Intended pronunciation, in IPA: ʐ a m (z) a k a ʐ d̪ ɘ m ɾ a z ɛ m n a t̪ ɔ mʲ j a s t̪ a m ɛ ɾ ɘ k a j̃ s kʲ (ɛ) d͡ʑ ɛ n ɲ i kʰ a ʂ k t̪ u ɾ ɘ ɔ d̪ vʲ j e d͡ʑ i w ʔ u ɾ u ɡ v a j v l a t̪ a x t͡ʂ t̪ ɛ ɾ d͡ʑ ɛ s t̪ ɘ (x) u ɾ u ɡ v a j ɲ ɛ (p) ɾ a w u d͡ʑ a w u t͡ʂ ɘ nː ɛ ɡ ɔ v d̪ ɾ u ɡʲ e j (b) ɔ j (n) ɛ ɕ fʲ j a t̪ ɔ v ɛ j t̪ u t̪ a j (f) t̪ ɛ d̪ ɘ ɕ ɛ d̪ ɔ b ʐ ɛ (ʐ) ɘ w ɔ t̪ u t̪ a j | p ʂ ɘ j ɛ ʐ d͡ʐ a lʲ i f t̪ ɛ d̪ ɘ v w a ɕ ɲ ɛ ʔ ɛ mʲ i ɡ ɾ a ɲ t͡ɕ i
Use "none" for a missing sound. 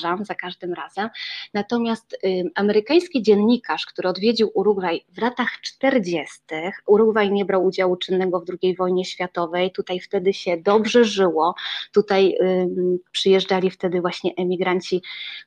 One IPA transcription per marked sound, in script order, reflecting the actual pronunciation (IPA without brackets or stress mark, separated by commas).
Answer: z, i, x, b, v, ɲ, f, ʐ